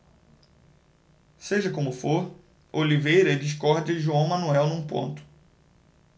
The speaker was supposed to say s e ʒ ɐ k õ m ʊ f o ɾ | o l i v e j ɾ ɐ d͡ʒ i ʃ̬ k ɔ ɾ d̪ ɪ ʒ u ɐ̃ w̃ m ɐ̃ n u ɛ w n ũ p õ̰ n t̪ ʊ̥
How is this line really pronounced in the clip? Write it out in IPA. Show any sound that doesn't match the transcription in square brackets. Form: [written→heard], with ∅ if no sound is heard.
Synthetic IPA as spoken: s e ʒ ɐ k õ m ʊ f o ɾ | o l i v e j ɾ ɐ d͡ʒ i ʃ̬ k ɔ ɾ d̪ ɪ ʒ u ɐ̃ w̃ m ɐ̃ n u ɛ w n ũ p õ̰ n t̪ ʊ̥